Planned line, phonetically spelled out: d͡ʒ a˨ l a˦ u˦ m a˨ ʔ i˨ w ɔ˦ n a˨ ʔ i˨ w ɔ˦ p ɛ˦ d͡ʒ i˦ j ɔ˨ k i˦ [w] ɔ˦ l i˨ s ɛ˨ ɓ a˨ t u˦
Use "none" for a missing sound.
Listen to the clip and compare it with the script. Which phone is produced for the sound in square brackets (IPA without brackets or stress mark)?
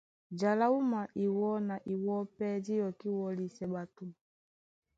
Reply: w